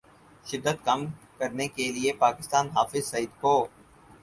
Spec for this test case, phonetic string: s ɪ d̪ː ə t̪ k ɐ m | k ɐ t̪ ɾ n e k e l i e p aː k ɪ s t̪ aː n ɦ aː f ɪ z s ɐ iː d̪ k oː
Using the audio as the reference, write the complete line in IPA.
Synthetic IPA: ʃ ɪ d̪ː ə t̪ k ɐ m | k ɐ ɾ n e k e l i e p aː k ɪ s t̪ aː n ɦ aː f ɪ z s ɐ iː d̪ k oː